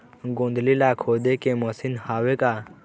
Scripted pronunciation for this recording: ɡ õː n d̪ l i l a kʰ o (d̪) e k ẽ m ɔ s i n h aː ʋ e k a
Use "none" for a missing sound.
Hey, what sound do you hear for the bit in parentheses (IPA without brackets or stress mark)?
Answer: d̪